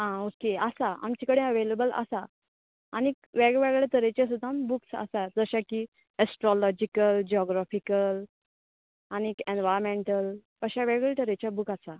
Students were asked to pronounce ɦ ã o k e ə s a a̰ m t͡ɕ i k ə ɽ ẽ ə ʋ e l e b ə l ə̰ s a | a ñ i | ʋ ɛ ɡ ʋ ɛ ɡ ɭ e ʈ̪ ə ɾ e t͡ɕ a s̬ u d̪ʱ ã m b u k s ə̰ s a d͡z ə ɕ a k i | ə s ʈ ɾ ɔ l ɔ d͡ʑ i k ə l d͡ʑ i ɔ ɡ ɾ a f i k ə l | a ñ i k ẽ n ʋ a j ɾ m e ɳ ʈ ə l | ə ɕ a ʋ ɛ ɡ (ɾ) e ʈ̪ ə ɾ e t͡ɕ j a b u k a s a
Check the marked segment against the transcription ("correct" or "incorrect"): incorrect